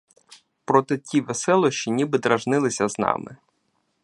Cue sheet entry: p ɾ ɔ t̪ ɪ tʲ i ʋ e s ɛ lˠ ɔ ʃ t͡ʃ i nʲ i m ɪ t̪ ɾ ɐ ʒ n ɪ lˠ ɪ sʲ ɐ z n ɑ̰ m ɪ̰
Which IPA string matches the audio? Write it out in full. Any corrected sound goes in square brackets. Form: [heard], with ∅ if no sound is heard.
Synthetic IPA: p ɾ ɔ t̪ ɪ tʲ i ʋ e s ɛ lˠ ɔ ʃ t͡ʃ i nʲ i [b] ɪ [d̪] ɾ ɐ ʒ n ɪ lˠ ɪ sʲ ɐ z n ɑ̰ m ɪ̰